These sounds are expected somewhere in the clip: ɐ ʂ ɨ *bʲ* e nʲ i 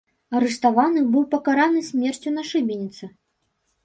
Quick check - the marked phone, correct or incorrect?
correct